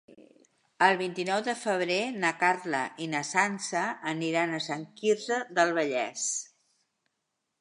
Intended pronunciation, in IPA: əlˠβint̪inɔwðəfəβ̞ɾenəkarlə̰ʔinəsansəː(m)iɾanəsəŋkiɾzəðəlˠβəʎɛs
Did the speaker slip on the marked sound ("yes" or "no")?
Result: yes